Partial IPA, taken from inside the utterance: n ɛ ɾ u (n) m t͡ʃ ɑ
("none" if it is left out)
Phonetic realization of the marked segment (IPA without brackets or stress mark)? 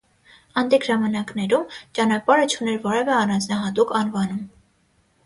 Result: none